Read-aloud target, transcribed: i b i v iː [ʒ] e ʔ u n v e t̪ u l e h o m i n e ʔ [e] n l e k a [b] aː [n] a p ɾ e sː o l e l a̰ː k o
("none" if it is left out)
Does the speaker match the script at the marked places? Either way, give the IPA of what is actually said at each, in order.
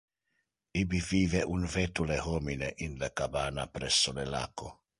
v, i, b, n

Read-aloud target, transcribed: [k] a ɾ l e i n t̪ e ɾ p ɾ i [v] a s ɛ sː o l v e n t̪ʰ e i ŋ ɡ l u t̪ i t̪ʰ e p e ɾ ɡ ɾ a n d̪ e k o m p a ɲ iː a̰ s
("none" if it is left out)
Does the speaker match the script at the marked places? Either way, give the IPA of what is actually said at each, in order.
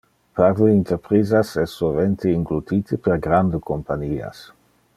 p, z

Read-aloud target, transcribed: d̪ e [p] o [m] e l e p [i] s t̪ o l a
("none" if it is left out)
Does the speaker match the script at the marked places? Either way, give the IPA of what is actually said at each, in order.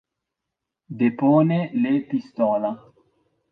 p, n, i

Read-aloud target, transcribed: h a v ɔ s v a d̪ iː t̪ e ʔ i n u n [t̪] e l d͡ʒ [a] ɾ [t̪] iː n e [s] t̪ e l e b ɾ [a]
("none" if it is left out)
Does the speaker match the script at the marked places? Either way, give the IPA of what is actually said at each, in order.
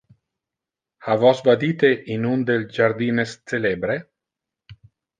d̪, a, d̪, s, e

